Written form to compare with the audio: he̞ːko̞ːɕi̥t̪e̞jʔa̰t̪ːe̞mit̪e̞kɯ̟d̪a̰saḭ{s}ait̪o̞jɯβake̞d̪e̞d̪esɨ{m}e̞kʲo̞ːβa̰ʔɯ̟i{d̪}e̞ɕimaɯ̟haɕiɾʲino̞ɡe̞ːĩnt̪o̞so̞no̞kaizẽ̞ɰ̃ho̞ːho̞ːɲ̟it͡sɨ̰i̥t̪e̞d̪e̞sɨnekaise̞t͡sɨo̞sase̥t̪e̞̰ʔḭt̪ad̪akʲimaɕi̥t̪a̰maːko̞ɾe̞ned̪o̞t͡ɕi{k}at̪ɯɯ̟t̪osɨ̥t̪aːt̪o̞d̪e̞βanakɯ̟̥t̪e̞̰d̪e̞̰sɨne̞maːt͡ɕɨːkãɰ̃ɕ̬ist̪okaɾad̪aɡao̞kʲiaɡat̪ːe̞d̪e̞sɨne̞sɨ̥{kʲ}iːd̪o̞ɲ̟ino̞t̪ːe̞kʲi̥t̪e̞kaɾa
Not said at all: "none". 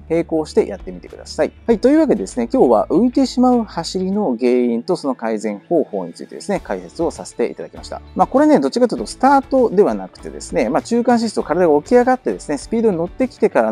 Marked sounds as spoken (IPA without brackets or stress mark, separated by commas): h, n, t̪, k, pʲ